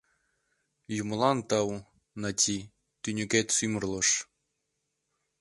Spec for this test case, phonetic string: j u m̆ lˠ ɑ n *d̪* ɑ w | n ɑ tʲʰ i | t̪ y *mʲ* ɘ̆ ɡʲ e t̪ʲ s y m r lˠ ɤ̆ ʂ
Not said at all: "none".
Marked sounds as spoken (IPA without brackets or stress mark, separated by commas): t̪, nʲ